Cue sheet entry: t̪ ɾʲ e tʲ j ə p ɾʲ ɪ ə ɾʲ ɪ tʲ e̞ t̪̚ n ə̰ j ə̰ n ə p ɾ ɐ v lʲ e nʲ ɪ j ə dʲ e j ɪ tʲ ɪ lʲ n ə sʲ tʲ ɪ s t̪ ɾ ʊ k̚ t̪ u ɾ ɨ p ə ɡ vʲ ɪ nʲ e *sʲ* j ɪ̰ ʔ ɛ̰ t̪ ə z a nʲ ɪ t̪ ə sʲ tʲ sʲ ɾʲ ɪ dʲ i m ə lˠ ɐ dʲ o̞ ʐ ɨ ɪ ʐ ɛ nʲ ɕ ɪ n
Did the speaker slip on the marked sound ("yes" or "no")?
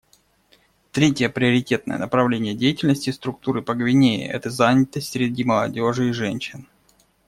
yes